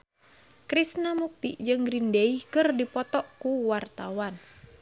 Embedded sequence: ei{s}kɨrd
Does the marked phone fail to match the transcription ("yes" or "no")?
yes